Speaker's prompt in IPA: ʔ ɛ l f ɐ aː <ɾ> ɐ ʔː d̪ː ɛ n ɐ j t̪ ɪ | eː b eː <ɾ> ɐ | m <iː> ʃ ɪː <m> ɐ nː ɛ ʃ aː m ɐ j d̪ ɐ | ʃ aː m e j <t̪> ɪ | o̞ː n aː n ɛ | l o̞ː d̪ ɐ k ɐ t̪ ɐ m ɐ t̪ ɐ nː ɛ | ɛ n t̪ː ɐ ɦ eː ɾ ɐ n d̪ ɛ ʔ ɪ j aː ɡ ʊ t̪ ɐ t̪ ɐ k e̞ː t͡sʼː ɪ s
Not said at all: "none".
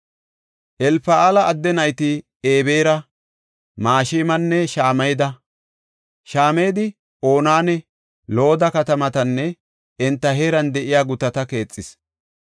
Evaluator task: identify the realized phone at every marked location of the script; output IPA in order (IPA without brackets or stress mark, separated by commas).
l, ɾ, aː, m, d̪